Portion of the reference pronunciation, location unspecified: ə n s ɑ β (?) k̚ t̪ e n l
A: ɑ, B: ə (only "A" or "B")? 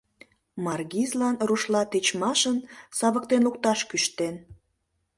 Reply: B